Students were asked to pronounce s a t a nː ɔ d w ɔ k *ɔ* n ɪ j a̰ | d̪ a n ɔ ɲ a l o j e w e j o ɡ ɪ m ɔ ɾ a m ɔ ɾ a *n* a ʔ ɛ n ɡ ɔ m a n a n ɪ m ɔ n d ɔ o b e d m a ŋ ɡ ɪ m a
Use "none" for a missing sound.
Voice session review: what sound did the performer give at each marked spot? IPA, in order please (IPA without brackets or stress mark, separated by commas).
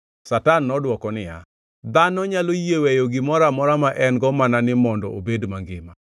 ɔ, m